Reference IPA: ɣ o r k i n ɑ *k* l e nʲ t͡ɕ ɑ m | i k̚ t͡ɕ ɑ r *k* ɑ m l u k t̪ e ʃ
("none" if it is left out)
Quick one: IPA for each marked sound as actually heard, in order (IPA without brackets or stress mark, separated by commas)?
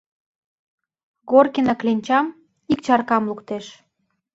k, k